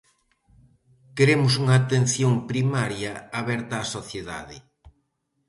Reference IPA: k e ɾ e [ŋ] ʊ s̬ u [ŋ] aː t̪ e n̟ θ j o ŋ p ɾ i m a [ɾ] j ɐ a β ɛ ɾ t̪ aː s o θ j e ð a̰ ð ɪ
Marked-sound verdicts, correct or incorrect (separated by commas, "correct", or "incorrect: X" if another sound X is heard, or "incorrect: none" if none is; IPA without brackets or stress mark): incorrect: m, correct, correct